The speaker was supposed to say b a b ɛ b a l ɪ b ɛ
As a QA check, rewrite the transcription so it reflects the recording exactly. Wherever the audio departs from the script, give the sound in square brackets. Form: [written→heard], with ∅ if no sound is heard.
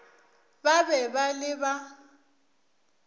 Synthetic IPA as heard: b a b ɛ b a l ɪ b [ɛ→a]